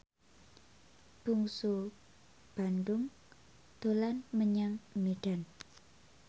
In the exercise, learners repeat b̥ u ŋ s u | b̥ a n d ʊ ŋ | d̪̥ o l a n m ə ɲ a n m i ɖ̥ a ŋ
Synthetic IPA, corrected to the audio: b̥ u ŋ s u | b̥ a n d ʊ ŋ | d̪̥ o l a n m ə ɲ a ŋ m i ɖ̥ a n